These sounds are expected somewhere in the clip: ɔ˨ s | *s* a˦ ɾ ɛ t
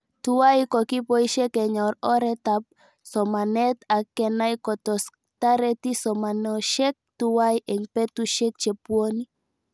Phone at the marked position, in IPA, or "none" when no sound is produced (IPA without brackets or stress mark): t